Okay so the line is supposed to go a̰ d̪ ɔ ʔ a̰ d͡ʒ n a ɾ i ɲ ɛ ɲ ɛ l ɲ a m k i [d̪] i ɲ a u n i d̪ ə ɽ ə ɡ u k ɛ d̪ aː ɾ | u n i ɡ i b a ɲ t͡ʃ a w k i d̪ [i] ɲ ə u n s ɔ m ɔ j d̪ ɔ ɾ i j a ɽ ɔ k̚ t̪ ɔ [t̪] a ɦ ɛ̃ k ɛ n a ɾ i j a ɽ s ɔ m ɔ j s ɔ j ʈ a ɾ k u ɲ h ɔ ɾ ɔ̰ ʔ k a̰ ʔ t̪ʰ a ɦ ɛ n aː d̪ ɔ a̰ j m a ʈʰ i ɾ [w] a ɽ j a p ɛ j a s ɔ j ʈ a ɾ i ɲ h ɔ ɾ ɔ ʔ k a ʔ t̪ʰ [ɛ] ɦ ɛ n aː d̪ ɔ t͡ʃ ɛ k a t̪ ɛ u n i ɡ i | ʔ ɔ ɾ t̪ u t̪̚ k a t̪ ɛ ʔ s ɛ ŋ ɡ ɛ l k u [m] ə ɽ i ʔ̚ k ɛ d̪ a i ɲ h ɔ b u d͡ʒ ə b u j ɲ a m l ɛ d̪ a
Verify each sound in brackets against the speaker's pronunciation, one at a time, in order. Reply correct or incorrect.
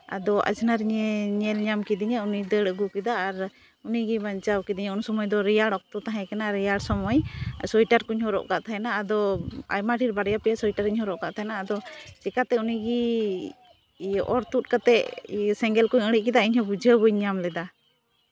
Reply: correct, correct, correct, incorrect, incorrect, incorrect

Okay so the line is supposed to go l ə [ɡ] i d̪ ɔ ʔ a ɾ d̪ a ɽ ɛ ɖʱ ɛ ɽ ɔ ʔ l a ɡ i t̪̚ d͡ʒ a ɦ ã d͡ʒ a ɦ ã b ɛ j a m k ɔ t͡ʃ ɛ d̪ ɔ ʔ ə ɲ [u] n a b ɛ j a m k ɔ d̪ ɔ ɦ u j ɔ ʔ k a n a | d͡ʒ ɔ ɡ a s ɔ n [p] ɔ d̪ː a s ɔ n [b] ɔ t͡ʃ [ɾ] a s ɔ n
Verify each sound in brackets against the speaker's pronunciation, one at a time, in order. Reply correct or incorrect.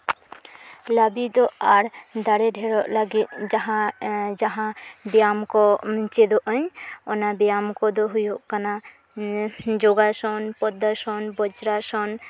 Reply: incorrect, incorrect, correct, correct, correct

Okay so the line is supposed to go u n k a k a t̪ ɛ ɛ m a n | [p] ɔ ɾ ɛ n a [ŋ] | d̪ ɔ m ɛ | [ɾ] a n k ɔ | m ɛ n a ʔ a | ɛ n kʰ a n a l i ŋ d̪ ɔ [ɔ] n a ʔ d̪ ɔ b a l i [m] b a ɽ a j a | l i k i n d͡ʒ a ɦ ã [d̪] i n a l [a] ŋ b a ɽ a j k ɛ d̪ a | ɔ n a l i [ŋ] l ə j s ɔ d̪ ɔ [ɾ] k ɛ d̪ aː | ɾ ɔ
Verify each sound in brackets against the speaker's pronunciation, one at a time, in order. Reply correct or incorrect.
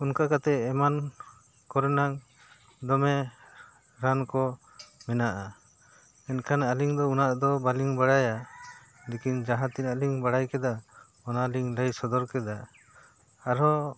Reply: incorrect, correct, correct, incorrect, incorrect, incorrect, incorrect, correct, correct

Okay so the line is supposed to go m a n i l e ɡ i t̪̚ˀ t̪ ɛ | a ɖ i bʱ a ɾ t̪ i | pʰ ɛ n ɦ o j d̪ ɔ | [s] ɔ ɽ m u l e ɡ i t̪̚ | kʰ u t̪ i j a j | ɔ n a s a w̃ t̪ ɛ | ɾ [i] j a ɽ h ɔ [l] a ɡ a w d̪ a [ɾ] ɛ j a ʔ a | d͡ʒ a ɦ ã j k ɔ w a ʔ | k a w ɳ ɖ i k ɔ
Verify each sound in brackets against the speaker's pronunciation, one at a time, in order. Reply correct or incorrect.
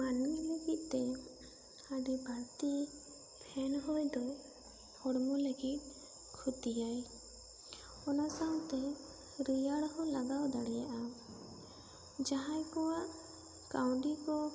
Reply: incorrect, correct, correct, incorrect

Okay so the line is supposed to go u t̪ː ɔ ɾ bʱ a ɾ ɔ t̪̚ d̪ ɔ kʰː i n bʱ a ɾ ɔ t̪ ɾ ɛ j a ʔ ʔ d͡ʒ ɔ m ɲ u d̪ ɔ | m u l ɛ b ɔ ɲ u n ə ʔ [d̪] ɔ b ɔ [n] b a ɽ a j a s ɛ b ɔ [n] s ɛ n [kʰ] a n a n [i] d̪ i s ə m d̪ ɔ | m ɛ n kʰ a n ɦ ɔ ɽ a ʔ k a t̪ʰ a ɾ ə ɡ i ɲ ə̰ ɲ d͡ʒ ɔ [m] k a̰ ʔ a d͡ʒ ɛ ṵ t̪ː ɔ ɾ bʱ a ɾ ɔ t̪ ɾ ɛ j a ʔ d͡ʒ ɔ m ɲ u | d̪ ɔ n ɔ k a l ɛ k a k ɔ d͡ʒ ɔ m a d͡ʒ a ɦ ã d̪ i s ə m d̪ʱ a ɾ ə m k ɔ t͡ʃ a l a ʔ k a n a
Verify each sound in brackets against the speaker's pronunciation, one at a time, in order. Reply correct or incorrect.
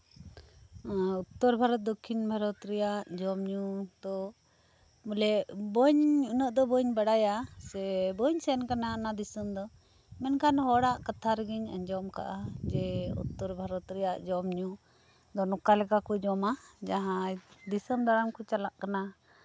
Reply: correct, incorrect, incorrect, incorrect, incorrect, correct

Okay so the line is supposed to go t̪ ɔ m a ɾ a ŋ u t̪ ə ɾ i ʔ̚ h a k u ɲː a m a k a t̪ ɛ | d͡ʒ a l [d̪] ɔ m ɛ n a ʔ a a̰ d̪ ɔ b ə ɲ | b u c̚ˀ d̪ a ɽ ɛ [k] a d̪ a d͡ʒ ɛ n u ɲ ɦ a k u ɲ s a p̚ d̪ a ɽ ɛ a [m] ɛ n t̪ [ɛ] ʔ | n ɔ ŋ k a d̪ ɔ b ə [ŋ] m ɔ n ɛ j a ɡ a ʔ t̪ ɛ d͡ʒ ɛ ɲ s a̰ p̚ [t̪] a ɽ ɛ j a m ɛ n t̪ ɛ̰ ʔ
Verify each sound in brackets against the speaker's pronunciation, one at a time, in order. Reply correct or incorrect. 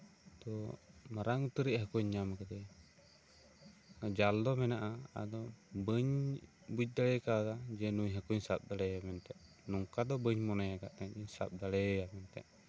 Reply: correct, correct, correct, correct, incorrect, incorrect

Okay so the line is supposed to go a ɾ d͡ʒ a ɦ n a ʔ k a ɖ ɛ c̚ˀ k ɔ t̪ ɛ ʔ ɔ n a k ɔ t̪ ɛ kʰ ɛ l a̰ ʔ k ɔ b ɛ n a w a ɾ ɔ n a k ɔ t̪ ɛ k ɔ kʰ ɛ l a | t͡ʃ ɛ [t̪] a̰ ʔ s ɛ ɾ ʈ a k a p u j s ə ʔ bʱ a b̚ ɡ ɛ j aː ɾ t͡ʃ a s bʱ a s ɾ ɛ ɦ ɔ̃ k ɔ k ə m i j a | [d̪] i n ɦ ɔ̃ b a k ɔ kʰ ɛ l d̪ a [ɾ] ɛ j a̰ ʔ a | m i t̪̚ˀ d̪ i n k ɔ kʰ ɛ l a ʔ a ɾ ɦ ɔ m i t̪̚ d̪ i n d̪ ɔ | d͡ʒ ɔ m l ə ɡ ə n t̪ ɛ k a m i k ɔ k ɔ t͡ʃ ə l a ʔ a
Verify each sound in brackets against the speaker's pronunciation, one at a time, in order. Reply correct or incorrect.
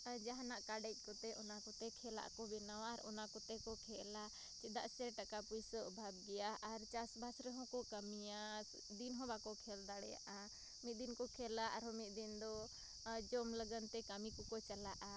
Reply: incorrect, correct, incorrect

